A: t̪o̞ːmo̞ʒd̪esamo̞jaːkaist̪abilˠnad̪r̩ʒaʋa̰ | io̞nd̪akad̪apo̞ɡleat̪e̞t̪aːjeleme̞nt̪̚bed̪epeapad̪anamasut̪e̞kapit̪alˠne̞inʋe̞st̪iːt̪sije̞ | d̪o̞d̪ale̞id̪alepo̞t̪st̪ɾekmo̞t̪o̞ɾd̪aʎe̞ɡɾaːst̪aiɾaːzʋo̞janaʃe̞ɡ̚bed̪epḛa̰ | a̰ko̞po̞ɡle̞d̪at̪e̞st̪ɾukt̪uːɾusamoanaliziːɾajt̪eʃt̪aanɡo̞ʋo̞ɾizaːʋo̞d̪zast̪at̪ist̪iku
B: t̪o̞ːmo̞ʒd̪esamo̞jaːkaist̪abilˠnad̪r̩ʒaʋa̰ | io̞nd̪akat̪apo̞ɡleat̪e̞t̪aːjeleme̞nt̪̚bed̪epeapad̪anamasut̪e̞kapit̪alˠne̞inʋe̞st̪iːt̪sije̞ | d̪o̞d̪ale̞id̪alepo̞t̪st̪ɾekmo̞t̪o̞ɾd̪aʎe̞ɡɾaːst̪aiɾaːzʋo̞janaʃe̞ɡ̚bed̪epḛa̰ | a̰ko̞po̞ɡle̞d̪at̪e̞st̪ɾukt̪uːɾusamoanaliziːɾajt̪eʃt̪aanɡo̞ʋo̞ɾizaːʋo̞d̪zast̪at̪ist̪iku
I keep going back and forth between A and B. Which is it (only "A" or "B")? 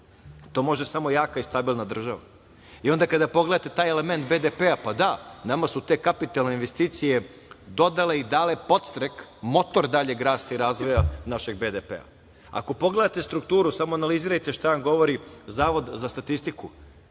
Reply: A